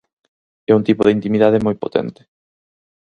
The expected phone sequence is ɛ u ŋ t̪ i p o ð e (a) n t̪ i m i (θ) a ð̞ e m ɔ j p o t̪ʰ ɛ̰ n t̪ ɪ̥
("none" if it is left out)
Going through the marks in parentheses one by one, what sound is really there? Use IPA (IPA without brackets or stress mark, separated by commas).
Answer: i, ð